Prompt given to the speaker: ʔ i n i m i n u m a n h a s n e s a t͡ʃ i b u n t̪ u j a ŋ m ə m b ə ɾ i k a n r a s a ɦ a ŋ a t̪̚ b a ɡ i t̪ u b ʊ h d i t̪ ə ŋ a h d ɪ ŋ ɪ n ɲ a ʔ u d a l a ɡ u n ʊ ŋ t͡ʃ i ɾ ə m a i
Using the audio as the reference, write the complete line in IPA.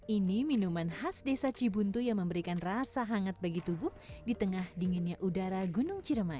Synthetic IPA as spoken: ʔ i n i m i n u m a n h a s d e s a t͡ʃ i b u n t̪ u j a ŋ m ə m b ə ɾ i k a n r a s a ɦ a ŋ a t̪̚ b a ɡ i t̪ u b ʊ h d i t̪ ə ŋ a h d i ŋ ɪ n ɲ a ʔ u d a ɾ a ɡ u n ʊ ŋ t͡ʃ i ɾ ə m a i